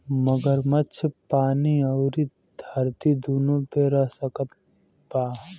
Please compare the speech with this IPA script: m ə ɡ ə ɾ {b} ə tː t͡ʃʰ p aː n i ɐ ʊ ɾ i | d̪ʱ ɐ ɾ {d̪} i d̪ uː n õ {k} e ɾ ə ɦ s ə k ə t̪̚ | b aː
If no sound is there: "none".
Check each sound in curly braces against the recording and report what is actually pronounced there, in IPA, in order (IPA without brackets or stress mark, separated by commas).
m, t̪, p